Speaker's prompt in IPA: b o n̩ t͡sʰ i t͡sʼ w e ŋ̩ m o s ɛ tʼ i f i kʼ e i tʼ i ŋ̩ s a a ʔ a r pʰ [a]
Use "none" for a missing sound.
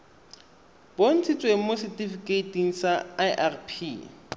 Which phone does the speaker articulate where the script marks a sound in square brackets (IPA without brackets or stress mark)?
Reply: i